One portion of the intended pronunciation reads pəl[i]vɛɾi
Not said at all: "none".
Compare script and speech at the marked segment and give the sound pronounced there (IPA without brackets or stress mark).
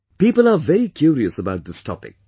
a